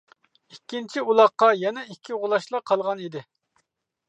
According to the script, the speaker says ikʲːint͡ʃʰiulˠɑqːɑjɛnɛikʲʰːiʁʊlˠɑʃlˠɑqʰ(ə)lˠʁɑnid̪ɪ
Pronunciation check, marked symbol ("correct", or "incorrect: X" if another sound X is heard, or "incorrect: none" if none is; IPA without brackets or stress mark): incorrect: ɑ